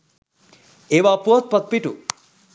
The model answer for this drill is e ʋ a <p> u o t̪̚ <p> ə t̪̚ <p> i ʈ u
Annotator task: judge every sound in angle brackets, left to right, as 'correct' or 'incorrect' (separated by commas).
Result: correct, correct, correct